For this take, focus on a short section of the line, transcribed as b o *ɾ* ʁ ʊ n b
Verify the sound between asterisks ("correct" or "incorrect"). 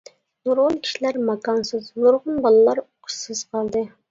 correct